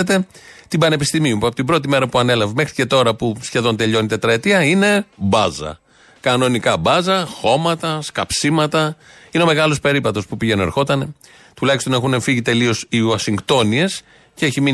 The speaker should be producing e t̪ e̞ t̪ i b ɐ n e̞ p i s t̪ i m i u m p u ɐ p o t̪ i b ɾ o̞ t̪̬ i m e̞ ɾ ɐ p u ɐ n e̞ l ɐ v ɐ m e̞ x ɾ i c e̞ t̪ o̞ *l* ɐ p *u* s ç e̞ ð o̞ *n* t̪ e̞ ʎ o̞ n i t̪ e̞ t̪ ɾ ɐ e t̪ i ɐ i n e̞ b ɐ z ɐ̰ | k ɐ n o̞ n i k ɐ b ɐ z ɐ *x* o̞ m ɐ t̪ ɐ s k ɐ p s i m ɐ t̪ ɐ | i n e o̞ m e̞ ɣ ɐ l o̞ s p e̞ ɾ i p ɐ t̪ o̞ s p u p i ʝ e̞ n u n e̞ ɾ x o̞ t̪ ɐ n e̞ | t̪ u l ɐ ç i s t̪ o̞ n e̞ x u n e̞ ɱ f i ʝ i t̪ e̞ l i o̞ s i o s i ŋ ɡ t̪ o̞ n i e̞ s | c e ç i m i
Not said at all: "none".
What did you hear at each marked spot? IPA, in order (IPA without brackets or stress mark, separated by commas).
ɾ, u, n, x